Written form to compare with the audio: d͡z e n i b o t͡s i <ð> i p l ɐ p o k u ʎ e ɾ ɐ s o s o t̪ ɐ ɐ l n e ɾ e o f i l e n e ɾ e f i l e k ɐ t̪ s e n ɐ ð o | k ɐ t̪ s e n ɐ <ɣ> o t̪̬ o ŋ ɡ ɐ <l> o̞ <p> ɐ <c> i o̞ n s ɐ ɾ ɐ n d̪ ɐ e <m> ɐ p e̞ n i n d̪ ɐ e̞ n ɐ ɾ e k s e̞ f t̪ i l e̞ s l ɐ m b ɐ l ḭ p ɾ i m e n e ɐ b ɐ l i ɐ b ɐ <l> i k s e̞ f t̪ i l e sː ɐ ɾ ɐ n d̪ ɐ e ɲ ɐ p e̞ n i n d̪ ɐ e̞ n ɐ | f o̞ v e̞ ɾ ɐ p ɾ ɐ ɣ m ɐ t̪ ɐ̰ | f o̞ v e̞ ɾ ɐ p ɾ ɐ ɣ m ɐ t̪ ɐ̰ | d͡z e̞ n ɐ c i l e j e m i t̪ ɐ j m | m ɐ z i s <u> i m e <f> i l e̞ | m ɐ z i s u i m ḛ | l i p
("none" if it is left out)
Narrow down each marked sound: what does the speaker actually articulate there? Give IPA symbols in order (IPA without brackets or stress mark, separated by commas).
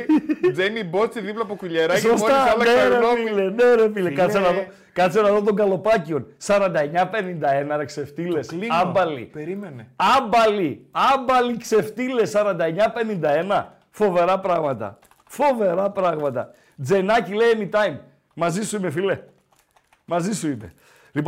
ð, ð, l, p, c, ɲ, l, u, f